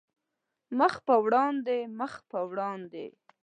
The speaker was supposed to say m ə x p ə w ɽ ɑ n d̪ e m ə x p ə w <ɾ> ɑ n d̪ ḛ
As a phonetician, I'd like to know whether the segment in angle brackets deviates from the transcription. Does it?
yes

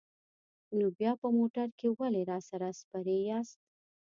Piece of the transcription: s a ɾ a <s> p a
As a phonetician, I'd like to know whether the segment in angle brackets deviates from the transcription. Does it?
no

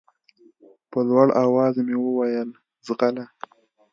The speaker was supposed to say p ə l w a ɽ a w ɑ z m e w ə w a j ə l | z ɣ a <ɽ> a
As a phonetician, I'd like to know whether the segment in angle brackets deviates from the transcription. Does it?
yes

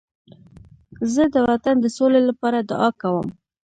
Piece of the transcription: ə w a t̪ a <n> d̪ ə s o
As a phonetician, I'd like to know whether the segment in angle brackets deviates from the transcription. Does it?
no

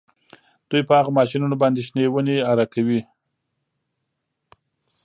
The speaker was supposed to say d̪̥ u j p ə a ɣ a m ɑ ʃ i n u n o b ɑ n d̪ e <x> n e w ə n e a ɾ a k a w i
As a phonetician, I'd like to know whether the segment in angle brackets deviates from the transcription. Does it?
yes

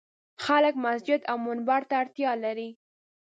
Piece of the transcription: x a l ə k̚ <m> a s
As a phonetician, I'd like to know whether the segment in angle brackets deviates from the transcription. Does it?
no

